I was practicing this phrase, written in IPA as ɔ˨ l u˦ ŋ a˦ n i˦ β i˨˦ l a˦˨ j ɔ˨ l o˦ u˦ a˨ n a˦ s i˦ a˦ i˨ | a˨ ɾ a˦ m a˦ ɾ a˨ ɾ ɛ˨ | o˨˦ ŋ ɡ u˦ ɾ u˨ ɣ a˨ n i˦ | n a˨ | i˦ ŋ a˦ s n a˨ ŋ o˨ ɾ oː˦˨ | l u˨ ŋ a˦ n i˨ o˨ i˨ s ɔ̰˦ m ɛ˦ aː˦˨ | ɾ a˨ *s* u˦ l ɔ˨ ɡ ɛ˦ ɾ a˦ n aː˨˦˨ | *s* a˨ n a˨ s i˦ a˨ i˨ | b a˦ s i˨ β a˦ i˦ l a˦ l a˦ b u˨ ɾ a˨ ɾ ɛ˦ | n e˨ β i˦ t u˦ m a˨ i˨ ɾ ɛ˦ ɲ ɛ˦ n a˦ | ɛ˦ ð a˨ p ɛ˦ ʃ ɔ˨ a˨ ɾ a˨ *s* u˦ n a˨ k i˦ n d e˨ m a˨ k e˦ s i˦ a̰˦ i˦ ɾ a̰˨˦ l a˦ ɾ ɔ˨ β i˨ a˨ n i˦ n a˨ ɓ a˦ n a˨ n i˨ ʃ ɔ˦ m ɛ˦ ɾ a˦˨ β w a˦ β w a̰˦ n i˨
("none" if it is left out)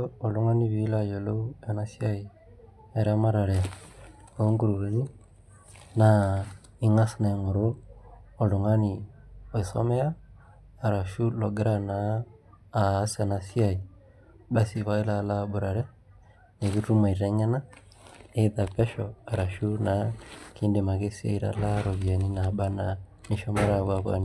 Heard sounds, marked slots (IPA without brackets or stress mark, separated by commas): ʃ, s, ʃ